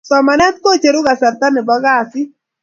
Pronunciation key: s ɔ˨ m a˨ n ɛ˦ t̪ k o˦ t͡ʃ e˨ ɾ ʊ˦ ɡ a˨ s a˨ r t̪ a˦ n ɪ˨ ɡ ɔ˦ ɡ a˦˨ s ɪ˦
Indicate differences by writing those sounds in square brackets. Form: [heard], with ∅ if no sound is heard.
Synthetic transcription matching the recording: s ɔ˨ m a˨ n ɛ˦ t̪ k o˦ t͡ʃ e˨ ɾ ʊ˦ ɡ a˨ s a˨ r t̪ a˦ n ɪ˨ [b] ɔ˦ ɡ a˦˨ s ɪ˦

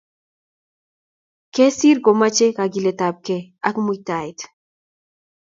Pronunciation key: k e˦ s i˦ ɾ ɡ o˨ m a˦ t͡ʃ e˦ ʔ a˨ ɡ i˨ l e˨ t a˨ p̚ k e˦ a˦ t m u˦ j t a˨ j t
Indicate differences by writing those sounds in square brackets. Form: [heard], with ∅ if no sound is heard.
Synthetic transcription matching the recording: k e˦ s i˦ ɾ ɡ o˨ m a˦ t͡ʃ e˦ [k] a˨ ɡ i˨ l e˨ t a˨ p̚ k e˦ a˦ [k] m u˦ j t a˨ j t

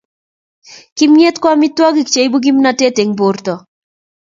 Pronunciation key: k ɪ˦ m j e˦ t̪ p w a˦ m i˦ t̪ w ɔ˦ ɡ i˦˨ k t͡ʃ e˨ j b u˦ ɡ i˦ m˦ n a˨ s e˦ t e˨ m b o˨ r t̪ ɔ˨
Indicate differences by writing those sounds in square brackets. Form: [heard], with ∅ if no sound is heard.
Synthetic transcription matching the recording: k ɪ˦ m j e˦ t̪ [k] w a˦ m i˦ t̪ w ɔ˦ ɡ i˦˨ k t͡ʃ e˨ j b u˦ ɡ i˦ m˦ n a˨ [t] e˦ t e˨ [ŋ] b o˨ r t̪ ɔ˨

